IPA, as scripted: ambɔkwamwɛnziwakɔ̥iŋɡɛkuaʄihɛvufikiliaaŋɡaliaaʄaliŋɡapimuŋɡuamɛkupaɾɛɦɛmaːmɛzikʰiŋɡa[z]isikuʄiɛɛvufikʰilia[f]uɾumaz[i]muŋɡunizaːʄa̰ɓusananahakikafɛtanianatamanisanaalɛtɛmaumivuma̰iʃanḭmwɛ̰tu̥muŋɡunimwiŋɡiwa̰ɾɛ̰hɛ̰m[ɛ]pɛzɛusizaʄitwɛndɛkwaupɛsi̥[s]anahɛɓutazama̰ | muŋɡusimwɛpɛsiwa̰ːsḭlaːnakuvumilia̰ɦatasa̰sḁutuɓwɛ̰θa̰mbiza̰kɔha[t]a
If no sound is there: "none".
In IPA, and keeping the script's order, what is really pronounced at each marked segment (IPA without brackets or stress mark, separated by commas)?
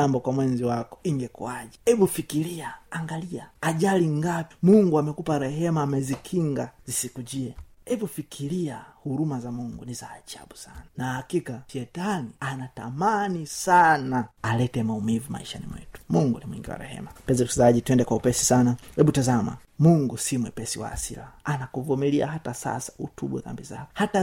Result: z, h, a, a, s, t